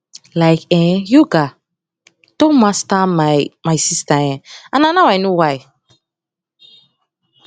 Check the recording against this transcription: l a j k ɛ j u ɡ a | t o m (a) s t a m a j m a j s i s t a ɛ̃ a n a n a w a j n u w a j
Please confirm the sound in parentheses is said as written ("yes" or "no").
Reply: yes